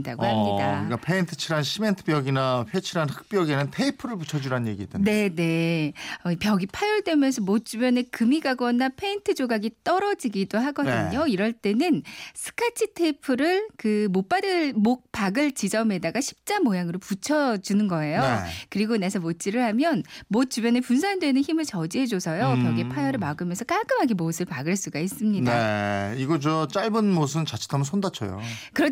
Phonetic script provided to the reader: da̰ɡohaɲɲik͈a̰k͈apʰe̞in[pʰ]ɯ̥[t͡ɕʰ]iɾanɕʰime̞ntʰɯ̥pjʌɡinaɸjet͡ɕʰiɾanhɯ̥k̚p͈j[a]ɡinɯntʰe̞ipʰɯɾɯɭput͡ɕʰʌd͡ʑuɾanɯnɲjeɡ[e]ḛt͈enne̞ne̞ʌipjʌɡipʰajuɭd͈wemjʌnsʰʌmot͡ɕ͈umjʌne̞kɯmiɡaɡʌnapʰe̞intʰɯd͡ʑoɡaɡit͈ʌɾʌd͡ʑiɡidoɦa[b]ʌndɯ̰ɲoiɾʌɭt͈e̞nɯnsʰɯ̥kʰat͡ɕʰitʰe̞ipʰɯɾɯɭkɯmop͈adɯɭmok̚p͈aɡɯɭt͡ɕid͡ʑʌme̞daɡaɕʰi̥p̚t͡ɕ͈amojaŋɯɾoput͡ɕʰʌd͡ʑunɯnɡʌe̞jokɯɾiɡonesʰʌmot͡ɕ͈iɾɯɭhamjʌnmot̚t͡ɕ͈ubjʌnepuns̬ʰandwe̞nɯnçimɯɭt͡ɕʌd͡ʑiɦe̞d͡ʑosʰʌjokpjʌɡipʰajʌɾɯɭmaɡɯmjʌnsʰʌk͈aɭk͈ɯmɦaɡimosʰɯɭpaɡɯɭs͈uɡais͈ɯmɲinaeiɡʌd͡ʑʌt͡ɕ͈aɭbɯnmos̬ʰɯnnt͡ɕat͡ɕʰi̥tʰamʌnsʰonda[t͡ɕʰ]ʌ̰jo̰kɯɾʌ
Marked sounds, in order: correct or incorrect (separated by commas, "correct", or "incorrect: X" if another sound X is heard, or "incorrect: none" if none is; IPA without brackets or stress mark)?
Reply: incorrect: tʰ, correct, incorrect: ʌ, incorrect: i, incorrect: ɡ, correct